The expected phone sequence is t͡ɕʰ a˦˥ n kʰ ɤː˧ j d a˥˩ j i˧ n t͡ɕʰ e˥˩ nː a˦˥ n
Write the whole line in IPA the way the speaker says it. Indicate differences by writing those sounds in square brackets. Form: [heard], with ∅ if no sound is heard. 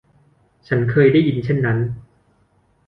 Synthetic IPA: t͡ɕʰ a˦˥ n kʰ ɤː˧ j d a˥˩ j i˧ n t͡ɕʰ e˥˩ nː a˦˥ n